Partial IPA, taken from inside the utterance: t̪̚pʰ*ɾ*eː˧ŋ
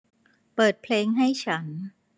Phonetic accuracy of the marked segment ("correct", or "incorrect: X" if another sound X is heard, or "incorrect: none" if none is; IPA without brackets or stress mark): incorrect: l